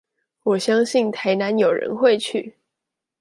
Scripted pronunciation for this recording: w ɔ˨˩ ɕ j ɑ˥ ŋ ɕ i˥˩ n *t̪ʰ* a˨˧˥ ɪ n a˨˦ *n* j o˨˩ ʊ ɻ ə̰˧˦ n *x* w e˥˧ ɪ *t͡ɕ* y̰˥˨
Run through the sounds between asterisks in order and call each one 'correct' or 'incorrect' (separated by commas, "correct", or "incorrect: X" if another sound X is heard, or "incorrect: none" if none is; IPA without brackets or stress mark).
correct, correct, correct, incorrect: t͡ɕʰ